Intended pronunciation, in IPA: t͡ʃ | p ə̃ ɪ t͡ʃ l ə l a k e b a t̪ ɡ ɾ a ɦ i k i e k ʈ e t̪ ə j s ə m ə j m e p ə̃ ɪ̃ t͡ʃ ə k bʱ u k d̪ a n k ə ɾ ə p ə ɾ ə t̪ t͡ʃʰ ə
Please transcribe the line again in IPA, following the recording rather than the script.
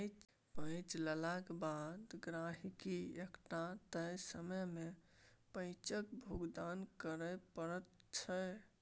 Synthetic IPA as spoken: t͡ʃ | p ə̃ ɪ t͡ʃ l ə l a k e b a d̪ ɡ ɾ a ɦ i k i e k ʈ a t̪ ə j s ə m ə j m e p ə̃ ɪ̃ t͡ʃ ə k bʱ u ɡ d̪ a n k ə ɾ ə p ə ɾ ə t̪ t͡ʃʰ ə